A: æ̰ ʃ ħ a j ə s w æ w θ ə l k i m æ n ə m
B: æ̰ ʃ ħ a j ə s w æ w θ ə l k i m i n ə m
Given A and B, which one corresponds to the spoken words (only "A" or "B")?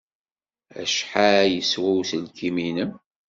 B